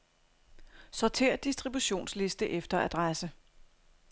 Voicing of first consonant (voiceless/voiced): voiceless